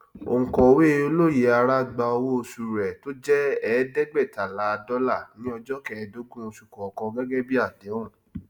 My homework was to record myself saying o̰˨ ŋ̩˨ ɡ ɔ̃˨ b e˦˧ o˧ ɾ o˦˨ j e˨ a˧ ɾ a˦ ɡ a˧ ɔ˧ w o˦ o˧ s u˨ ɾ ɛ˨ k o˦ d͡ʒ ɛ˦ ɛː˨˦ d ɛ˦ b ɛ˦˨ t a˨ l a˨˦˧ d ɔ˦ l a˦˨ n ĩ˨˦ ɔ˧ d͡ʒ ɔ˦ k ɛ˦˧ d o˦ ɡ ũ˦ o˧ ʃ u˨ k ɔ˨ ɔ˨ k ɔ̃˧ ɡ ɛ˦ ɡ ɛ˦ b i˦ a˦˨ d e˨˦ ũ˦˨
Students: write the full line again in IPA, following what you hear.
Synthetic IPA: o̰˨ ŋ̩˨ k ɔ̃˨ w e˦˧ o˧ l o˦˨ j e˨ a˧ ɾ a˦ ɡ͡b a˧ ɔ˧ w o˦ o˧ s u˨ ɾ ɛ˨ t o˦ d͡ʒ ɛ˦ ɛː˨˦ d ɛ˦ ɡ͡b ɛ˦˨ t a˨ l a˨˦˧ d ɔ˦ l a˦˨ n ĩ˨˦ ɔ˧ d͡ʒ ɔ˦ k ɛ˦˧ d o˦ ɡ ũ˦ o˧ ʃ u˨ k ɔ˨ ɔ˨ k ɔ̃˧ ɡ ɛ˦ ɡ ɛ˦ b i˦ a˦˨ d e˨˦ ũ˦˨